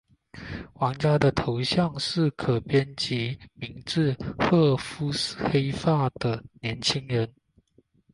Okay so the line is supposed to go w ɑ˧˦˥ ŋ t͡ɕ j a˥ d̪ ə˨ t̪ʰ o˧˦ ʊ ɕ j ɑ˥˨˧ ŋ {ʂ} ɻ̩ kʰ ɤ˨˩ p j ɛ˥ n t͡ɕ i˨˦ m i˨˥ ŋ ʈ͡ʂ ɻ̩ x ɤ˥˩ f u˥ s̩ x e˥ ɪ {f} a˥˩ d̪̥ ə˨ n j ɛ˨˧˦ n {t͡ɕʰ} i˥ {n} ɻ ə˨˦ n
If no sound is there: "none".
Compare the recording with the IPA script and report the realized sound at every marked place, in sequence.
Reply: ʂ, f, t͡ɕʰ, ŋ

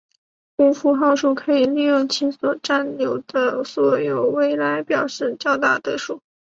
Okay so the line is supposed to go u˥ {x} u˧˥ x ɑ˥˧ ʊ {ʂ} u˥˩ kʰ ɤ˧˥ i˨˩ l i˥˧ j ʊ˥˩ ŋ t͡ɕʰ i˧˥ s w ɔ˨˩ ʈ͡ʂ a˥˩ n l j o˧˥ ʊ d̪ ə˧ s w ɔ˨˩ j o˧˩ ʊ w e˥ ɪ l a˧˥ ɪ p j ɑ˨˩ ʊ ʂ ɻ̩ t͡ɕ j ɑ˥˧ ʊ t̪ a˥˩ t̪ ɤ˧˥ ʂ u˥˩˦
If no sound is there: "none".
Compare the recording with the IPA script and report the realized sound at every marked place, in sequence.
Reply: f, ʂ

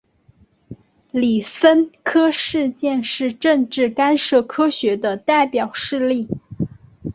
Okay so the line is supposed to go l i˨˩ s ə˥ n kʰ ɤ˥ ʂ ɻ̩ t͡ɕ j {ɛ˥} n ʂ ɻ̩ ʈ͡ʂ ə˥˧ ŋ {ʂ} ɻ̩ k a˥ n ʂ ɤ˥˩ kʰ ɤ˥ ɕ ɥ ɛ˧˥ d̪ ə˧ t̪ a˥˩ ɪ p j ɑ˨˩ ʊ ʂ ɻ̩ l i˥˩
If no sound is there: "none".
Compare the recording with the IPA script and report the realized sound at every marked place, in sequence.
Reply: ɛ˥˧, ʈ͡ʂ

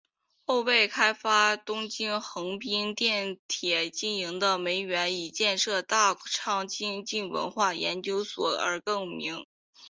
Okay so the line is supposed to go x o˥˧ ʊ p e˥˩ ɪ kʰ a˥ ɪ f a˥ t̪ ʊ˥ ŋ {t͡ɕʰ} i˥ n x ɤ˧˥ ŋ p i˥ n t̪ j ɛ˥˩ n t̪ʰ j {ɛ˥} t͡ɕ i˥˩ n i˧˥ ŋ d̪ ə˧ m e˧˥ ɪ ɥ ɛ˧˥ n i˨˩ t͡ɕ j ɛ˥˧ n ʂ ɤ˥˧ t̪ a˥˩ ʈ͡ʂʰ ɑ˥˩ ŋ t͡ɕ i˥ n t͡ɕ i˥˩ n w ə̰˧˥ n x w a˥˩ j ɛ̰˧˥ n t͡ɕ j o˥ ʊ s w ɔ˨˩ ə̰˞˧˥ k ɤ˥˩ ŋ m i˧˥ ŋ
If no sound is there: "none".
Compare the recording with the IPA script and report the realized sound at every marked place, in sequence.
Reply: t͡ɕ, ɛ˨˩

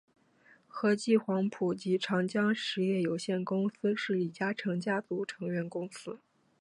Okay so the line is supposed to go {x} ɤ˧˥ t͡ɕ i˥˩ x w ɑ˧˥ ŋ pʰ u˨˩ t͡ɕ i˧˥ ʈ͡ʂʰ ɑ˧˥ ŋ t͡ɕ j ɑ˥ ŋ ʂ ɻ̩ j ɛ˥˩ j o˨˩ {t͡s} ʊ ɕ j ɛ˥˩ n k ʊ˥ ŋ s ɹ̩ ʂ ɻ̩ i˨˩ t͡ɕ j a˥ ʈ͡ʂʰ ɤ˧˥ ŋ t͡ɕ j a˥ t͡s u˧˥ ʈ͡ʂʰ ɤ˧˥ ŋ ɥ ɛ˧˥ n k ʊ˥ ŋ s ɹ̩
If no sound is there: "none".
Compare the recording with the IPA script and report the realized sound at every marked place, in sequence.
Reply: x, none

